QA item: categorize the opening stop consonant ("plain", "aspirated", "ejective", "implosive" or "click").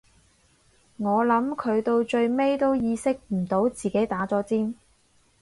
aspirated